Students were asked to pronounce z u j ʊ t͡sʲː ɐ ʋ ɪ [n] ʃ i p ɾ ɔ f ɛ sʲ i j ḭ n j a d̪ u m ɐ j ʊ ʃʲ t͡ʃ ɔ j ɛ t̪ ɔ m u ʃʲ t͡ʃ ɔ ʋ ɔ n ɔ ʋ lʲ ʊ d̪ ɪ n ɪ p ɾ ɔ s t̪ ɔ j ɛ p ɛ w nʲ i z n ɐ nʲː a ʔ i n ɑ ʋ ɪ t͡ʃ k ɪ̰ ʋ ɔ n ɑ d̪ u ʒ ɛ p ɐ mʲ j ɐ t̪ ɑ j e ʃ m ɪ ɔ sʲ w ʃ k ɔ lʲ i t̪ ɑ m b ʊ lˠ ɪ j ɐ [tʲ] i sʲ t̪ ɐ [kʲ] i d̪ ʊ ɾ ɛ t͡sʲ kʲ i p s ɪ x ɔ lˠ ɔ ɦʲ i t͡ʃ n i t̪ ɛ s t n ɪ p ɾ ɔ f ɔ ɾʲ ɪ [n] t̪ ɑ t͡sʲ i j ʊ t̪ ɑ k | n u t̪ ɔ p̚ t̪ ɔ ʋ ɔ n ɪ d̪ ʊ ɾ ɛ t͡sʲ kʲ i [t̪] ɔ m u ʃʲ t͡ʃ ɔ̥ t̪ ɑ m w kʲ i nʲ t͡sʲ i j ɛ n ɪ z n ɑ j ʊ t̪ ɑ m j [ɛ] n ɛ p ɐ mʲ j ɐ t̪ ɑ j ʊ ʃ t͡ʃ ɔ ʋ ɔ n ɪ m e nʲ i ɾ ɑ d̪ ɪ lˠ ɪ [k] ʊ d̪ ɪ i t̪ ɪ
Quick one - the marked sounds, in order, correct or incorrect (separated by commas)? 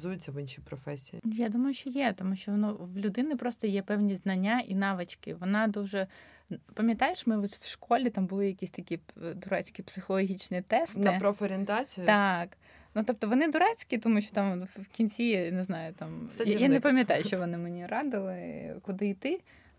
correct, incorrect, correct, correct, correct, incorrect, correct